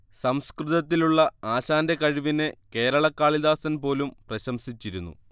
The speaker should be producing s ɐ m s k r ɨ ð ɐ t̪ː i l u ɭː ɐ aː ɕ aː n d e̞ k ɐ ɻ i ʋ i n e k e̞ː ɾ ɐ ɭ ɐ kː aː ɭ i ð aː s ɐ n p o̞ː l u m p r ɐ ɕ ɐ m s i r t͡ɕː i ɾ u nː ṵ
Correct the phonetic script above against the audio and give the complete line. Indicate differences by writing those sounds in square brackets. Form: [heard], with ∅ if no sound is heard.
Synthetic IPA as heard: s ɐ m s k r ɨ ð ɐ t̪ː i l u ɭː ɐ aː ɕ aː n d e̞ k ɐ ɻ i ʋ i n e k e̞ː ɾ ɐ ɭ ɐ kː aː ɭ i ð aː s ɐ n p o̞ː l u m p r ɐ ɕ ɐ m s i [∅] t͡ɕː i ɾ u nː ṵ